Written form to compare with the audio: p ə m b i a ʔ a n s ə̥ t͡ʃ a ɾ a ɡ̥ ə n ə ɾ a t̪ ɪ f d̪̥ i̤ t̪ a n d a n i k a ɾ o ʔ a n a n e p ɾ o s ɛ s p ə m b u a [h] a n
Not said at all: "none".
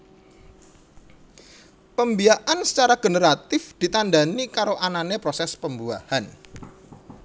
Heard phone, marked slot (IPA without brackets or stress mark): h